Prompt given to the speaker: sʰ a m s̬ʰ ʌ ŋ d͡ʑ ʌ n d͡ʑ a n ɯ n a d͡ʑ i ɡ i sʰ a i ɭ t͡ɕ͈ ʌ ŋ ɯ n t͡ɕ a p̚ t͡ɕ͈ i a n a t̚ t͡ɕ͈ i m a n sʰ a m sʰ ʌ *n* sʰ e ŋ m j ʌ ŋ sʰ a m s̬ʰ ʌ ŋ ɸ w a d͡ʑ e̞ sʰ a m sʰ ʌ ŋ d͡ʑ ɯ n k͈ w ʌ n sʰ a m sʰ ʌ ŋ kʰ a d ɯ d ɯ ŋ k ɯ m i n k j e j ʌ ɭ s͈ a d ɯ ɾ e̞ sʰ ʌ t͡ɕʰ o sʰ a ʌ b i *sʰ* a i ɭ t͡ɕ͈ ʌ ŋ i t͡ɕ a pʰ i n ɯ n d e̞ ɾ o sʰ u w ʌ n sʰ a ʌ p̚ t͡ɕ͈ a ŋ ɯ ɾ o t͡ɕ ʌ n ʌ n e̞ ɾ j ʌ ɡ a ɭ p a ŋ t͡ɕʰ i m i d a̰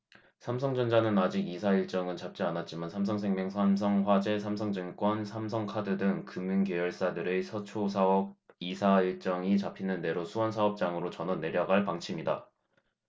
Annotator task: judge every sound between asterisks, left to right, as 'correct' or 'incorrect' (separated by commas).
incorrect, correct